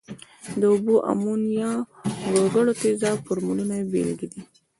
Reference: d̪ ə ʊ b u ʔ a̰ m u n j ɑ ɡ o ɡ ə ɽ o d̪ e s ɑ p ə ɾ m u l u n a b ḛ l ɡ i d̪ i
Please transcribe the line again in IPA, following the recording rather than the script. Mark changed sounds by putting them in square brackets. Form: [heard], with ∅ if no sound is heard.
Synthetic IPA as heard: d̪ ə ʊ b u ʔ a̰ m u n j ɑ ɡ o ɡ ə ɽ o [t̪] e [z] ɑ p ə ɾ m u l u n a b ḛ l ɡ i d̪ i